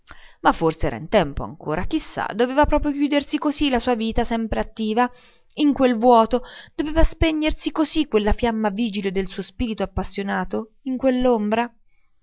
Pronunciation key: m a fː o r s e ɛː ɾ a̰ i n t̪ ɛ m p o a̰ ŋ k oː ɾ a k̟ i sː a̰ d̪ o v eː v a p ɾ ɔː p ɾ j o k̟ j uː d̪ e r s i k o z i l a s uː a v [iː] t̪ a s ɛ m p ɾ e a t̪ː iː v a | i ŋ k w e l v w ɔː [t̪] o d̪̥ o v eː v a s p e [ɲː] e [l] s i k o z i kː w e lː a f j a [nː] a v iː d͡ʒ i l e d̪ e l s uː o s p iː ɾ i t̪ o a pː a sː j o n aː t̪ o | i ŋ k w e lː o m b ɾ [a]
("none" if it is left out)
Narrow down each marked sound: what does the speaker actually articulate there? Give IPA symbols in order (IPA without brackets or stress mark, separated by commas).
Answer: iː, t̪, ɲː, r, mː, a